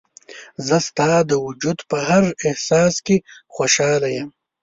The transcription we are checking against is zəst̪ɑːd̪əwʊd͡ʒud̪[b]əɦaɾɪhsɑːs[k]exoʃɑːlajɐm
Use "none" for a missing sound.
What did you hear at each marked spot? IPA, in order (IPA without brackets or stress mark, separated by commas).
p, k